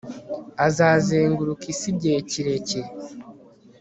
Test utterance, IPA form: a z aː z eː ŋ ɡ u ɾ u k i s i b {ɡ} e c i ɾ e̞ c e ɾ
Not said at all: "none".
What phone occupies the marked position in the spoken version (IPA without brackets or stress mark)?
ɟ